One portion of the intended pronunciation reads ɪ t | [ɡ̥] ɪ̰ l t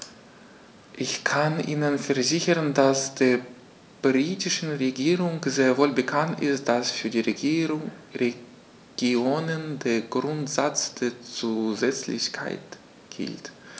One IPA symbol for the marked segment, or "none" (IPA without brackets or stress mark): ɡ̥